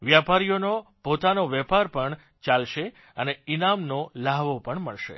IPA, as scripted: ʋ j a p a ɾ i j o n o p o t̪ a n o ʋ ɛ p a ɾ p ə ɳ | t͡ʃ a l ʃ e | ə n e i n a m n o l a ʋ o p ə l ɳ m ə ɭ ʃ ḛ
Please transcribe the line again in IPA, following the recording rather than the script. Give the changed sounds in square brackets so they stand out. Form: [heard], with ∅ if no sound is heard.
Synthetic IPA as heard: ʋ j a p a ɾ i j o n o p o t̪ a n o ʋ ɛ p a ɾ p ə ɳ | t͡ʃ a l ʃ e | ə n e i n a m n o l a ʋ o p ə [∅] ɳ m ə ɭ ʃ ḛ